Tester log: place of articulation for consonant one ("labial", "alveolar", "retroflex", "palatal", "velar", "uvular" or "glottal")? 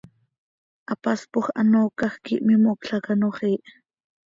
glottal